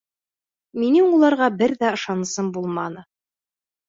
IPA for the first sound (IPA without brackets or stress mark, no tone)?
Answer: m